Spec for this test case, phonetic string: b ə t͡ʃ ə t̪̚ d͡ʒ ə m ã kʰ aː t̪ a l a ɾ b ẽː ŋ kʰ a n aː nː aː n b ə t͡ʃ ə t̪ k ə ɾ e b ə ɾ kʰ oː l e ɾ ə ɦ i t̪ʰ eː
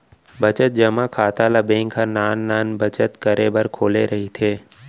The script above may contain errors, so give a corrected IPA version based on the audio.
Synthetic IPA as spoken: b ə t͡ʃ ə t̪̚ d͡ʒ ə m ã kʰ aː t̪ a l a b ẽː ŋ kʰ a n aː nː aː n b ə t͡ʃ ə t̪ k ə ɾ e b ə ɾ kʰ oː l e ɾ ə ɦ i t̪ʰ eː